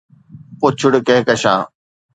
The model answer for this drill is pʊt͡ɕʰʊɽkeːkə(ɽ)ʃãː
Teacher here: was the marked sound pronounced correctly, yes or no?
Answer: no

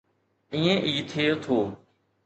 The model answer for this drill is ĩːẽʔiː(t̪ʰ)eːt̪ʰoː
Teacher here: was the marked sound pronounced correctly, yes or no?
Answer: yes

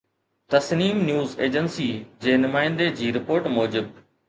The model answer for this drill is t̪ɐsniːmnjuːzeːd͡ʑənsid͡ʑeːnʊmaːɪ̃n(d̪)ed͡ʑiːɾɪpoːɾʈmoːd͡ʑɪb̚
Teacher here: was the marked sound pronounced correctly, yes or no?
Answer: yes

